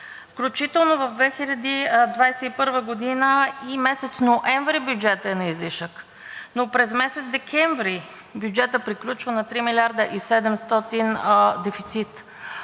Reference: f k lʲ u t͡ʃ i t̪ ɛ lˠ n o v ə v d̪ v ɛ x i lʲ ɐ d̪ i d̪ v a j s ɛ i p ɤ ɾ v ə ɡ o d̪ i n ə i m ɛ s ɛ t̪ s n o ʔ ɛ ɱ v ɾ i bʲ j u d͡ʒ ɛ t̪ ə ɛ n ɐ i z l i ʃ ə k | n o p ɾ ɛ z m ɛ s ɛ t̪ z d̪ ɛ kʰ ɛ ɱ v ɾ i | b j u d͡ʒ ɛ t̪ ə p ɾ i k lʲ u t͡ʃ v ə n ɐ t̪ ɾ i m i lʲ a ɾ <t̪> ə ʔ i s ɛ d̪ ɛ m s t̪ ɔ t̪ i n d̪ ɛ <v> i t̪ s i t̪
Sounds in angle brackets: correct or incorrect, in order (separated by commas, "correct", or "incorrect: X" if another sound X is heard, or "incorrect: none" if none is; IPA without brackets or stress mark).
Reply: incorrect: d̪, incorrect: f